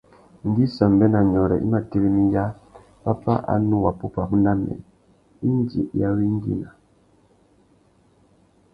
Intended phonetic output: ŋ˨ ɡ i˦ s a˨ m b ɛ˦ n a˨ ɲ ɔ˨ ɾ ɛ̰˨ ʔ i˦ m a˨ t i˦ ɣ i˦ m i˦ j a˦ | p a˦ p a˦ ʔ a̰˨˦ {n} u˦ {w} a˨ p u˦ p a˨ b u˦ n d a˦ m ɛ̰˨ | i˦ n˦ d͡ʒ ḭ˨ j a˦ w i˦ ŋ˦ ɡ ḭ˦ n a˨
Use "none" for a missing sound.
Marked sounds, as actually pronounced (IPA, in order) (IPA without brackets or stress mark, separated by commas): n, w